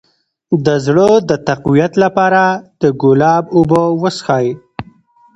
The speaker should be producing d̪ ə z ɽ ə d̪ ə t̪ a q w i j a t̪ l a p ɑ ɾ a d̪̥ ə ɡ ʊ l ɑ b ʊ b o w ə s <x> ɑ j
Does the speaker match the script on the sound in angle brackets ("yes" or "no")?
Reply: yes